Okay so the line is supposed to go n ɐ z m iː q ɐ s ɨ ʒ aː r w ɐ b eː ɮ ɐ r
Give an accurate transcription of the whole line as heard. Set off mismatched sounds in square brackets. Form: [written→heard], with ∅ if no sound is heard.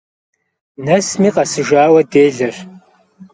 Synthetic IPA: n ɐ [z→s] m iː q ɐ s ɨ ʒ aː [r→∅] w ɐ [b→d] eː ɮ ɐ r